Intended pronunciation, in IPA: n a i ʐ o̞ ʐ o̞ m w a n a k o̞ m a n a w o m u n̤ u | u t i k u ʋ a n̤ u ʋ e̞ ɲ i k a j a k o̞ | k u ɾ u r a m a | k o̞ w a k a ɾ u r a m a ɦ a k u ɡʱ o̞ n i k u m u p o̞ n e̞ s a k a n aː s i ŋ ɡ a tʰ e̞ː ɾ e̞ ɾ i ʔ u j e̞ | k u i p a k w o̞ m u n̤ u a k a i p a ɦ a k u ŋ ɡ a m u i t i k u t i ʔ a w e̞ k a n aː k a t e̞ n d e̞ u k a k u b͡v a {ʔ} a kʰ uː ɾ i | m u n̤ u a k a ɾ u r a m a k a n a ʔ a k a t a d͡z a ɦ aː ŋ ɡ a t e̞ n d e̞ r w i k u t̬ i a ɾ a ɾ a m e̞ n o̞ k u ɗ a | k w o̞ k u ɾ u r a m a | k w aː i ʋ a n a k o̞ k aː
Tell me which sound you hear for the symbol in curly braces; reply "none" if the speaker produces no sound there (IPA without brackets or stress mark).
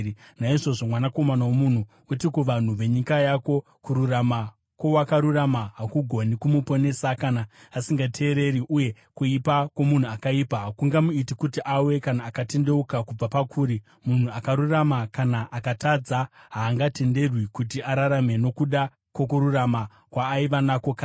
p